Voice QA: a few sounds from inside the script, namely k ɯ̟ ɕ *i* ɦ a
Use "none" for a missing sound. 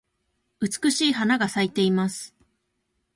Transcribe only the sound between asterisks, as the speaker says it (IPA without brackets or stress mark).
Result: iː